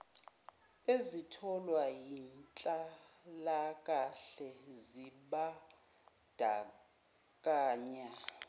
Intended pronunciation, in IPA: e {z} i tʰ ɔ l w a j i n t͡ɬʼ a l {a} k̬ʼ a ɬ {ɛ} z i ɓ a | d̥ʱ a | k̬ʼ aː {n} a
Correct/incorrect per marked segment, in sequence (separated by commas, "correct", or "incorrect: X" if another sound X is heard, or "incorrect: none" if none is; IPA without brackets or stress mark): correct, correct, correct, incorrect: ɲ